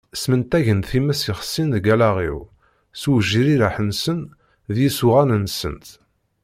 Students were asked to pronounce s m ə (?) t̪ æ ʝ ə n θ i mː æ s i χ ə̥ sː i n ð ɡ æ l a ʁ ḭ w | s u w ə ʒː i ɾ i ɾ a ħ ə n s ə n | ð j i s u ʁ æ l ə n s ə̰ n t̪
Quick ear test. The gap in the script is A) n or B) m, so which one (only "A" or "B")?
A